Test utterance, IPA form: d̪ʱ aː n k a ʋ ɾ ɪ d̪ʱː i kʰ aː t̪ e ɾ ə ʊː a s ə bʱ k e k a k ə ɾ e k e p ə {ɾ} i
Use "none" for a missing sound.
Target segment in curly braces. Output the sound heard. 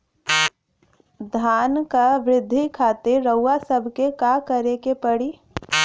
ɽ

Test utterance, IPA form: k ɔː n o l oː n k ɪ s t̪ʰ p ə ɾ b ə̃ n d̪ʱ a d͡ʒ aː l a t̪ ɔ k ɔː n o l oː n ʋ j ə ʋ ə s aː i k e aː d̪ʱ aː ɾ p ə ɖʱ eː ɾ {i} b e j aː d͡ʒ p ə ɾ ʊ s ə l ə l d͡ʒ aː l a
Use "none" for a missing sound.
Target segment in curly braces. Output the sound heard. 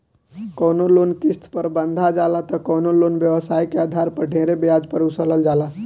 e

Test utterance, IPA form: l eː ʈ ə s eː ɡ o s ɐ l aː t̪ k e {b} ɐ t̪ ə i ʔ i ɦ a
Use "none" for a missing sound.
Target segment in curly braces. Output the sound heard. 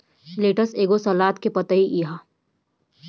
p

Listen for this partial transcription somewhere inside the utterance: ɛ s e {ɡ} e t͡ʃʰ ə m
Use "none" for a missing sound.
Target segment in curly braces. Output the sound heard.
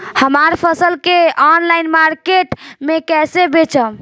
b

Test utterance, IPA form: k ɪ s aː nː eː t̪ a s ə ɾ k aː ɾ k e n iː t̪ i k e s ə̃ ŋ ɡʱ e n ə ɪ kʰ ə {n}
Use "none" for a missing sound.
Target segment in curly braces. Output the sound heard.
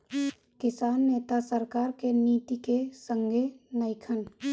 n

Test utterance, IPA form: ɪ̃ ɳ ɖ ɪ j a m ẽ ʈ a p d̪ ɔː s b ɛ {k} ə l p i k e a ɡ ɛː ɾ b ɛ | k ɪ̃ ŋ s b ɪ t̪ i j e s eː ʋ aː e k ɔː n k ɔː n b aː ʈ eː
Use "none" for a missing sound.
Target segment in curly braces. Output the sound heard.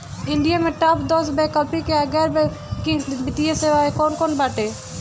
k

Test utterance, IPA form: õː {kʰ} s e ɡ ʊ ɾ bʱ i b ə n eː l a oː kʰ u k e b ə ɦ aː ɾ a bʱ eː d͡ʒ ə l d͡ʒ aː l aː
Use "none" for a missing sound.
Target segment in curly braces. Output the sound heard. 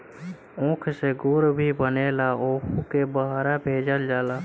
kʰ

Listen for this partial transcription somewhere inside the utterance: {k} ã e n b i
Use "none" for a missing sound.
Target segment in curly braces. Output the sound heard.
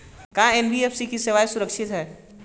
k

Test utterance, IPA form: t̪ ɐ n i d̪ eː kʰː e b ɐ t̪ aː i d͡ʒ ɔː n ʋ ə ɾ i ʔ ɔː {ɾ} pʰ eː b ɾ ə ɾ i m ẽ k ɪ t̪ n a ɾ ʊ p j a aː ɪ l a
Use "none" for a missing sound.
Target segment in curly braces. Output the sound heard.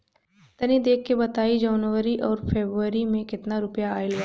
ɾ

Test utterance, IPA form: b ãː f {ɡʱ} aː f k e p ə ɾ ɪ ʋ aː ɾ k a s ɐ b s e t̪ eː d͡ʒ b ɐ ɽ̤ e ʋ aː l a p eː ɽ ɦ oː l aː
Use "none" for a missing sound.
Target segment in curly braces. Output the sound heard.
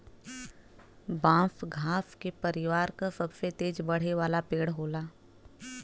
ɡʱ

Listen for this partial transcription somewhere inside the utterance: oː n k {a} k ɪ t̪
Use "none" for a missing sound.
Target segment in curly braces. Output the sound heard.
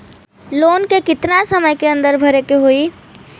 e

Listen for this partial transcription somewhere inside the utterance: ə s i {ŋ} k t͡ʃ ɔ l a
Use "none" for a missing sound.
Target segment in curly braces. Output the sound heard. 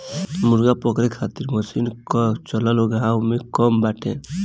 n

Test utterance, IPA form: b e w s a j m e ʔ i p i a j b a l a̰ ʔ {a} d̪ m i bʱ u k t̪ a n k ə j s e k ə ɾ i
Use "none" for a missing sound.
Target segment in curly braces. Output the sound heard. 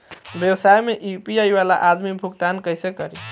a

